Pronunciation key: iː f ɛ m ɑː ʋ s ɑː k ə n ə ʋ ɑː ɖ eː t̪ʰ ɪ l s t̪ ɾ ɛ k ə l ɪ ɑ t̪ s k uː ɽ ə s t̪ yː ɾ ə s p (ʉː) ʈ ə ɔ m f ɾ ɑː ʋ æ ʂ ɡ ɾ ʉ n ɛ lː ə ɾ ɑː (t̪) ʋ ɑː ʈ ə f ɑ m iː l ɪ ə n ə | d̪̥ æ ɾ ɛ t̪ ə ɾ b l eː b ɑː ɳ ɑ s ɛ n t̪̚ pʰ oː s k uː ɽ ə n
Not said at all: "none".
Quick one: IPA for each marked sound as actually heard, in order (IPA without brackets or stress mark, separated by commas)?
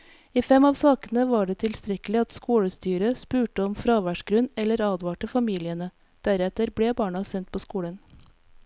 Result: ʉː, d̪